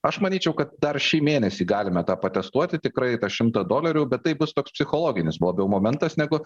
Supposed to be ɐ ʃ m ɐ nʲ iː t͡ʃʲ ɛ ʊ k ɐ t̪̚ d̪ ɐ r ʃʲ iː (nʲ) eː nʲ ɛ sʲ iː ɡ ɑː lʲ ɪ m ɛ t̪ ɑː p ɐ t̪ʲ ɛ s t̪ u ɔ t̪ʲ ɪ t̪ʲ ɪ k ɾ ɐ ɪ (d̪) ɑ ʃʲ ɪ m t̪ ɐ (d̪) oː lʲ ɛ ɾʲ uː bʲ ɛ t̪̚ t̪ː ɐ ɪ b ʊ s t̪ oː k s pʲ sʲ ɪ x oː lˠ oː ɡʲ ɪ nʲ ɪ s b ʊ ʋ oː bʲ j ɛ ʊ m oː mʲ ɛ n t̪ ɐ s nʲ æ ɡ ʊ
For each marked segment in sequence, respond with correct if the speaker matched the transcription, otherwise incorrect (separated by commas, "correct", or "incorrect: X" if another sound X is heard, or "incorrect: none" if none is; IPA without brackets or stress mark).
incorrect: mʲ, incorrect: t̪, correct